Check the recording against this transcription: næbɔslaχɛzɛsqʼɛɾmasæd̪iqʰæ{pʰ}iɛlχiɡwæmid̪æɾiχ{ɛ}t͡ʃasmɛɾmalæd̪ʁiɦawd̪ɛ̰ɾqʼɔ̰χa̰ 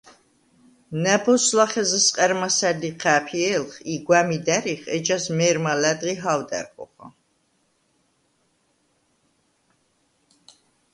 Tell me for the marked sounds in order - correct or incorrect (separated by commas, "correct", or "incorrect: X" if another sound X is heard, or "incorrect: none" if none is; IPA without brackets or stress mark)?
correct, correct